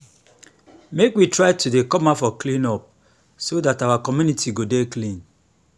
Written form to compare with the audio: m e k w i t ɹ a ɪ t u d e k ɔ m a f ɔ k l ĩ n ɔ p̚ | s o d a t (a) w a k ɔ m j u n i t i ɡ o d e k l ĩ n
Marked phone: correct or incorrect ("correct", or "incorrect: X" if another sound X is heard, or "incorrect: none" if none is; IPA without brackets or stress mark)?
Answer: correct